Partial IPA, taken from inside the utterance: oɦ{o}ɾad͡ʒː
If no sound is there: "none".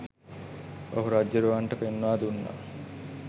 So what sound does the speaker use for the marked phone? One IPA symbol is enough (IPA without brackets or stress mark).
u